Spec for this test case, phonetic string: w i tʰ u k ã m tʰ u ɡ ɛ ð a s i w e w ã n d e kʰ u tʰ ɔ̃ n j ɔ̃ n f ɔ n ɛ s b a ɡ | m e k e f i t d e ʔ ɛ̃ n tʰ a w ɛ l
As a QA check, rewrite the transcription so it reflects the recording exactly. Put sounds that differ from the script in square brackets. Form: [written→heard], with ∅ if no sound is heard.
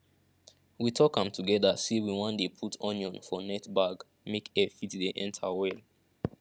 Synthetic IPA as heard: w i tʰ [u→ɔ] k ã m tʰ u ɡ ɛ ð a s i w [e→i] w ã n d e [kʰ→pʰ] u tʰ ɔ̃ n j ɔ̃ n f ɔ n ɛ [s→t] b a ɡ | m e k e f i t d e ʔ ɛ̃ n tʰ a w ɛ l